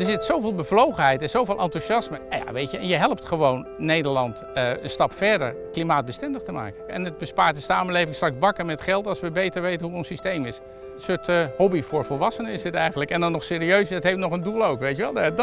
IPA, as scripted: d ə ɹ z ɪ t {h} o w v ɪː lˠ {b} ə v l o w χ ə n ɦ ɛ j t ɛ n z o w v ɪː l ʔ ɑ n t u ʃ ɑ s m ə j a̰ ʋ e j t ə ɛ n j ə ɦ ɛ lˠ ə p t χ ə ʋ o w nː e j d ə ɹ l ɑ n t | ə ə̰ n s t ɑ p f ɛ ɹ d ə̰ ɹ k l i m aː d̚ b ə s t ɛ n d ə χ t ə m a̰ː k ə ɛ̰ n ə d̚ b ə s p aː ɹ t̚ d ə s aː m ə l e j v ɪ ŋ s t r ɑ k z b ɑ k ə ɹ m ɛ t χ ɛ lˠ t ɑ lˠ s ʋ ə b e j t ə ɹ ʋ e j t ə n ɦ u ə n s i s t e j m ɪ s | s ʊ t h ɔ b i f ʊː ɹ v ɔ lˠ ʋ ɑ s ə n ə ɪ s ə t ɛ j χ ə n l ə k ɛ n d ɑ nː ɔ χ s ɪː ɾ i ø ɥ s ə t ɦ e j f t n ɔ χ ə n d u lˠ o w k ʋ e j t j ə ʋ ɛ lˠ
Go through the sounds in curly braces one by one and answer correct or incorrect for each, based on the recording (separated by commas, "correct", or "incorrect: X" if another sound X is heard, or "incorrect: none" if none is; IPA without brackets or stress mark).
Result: incorrect: s, correct